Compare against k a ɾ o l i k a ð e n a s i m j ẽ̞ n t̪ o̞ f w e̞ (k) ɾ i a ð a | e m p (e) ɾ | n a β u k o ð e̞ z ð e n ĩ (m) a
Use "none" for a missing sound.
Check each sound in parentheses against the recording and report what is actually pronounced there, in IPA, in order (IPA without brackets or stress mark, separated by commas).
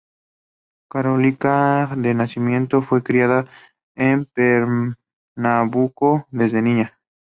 k, e, ɲ